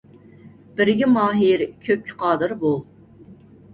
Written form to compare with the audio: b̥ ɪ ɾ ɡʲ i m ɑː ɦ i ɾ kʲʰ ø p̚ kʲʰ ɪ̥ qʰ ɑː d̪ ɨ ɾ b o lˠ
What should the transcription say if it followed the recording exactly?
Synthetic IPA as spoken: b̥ ɪ ɾ ɡʲ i m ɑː ɦ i ɾ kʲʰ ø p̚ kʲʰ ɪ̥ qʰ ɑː d̪ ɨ ɾ b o lˠ